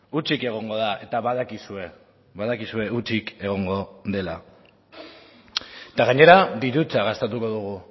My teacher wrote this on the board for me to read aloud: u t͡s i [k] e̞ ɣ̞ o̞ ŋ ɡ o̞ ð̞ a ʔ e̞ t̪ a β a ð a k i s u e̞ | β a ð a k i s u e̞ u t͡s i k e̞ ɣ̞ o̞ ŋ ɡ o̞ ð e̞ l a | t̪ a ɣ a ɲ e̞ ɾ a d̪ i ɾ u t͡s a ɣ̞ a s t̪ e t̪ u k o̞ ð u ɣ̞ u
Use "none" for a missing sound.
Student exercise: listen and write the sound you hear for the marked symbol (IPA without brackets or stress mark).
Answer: k